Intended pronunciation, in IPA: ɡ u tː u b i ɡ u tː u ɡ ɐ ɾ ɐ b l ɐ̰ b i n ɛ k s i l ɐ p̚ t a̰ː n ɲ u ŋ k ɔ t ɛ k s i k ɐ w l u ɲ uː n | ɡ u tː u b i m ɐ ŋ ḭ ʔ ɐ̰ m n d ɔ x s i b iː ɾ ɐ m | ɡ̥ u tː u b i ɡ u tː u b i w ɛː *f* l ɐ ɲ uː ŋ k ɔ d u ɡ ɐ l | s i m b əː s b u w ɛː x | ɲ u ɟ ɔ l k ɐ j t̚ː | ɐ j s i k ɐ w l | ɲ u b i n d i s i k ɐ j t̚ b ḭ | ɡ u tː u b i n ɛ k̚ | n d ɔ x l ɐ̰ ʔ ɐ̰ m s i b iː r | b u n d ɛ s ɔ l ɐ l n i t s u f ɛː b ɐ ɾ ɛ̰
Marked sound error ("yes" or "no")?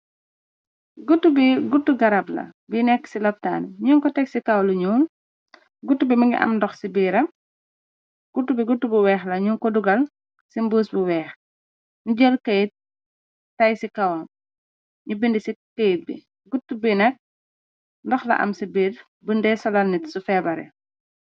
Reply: yes